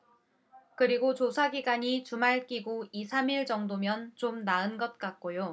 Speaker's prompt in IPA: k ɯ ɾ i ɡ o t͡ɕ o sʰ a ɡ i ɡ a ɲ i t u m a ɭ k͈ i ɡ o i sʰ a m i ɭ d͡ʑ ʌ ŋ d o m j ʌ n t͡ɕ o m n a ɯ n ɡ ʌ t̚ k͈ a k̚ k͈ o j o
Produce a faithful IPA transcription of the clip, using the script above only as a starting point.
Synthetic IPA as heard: k ɯ ɾ i ɡ o t͡ɕ o sʰ a ɡ i ɡ a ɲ i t u m a ɭ k͈ i ɡ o i sʰ a m i ɭ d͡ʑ ʌ ŋ d o m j ʌ n t͡ɕ o m n a ɯ n ɡ ʌ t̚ k͈ a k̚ k͈ o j o